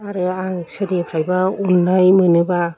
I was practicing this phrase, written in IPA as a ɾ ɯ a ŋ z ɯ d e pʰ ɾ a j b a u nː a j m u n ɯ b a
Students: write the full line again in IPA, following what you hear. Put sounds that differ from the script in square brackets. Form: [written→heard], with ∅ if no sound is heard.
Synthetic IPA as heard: a ɾ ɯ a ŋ [z→s] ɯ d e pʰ ɾ a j b a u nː a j m [u→ɯ] n ɯ b a